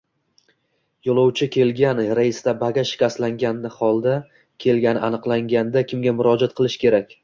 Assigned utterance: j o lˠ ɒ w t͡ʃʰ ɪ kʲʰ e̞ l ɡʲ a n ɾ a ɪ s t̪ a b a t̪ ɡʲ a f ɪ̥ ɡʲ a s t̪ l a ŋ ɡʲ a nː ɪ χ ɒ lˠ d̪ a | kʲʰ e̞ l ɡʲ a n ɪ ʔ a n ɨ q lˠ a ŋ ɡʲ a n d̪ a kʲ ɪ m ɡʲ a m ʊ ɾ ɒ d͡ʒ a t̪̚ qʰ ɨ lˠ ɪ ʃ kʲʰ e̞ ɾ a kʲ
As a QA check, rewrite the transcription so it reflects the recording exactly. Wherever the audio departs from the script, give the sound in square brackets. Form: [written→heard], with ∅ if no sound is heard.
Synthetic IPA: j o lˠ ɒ w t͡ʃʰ ɪ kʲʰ e̞ l ɡʲ a n ɾ a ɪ s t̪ a b a [t̪→∅] ɡʲ a [f→ʃ] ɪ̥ [ɡʲ→kʲ] a s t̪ l a ŋ ɡʲ a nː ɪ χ ɒ lˠ d̪ a | kʲʰ e̞ l ɡʲ a n ɪ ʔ a n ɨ q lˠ a ŋ ɡʲ a n d̪ a kʲ ɪ m ɡʲ a m ʊ ɾ ɒ d͡ʒ a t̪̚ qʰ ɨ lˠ ɪ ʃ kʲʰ e̞ ɾ a kʲ